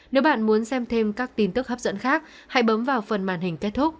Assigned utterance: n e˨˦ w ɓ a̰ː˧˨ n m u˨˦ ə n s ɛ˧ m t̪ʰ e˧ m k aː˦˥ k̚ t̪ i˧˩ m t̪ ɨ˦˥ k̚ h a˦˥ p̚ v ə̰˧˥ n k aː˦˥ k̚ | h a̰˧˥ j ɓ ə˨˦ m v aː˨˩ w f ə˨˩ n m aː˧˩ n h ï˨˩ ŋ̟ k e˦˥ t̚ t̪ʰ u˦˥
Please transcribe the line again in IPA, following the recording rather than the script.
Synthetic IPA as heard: n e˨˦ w ɓ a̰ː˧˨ n m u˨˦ ə n s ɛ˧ m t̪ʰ e˧ m k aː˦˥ k̚ t̪ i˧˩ n t̪ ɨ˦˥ k̚ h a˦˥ p̚ z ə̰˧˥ n x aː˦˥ k̚ | h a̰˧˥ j ɓ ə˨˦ m v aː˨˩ w f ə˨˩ n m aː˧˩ n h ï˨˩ ŋ̟ k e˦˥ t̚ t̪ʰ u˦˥